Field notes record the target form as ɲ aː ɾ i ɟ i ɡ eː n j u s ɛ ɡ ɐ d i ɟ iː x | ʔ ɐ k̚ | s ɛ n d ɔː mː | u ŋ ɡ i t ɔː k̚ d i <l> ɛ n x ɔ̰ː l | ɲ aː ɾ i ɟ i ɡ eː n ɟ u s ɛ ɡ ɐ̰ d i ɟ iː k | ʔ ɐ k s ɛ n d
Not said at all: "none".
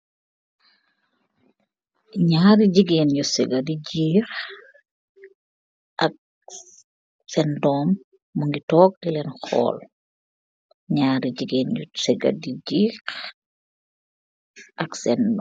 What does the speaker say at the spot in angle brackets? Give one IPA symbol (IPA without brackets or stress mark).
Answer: l